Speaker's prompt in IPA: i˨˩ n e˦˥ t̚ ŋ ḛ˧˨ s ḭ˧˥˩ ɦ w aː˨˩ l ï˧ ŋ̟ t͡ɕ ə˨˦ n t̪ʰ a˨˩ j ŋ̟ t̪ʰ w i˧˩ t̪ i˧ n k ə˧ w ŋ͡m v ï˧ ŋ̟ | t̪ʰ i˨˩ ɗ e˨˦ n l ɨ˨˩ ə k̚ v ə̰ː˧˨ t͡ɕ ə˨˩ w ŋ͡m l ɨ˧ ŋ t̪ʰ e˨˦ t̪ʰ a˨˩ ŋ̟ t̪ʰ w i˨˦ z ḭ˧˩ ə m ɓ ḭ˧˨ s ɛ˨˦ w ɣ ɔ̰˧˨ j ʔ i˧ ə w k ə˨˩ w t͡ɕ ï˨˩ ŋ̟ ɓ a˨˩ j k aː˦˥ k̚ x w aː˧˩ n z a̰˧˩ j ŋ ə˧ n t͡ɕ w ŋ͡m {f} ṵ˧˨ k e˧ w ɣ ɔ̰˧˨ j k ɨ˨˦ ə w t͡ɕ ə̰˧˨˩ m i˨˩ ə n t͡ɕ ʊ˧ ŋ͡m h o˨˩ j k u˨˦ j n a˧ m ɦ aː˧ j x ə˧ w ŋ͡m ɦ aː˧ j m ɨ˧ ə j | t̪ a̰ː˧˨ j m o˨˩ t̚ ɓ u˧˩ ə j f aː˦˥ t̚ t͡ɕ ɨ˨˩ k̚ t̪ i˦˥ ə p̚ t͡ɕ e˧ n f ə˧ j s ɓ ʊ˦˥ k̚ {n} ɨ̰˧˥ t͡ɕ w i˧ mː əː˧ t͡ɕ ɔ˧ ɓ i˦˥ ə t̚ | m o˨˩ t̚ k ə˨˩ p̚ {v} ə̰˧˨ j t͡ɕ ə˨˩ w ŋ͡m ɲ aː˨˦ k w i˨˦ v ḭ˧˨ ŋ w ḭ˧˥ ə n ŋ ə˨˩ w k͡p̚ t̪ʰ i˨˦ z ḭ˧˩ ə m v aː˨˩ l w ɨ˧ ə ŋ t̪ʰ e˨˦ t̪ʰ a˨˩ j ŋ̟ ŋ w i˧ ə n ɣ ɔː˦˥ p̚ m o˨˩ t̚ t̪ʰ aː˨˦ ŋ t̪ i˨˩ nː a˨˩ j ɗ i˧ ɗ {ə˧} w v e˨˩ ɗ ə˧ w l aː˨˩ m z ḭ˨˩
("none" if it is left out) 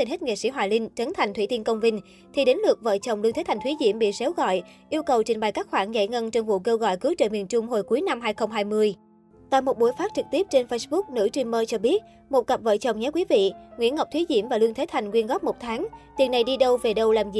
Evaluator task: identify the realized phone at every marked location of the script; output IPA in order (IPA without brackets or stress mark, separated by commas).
v, n, v, ə˧